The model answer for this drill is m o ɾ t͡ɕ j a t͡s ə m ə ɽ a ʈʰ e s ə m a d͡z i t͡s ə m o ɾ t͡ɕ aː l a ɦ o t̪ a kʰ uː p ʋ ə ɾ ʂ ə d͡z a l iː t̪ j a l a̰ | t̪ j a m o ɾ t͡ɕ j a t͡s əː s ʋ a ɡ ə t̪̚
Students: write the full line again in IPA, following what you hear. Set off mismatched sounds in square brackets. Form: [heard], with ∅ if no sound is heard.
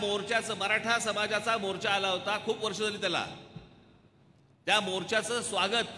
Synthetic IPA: m o ɾ t͡ɕ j a t͡s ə m ə [ɾ] a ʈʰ [a] s ə m a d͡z [a] t͡s [a] m o ɾ t͡ɕ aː l a ɦ o t̪ a kʰ uː p ʋ ə ɾ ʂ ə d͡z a l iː t̪ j a l a̰ | t̪ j a m o ɾ t͡ɕ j a t͡s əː s ʋ a ɡ ə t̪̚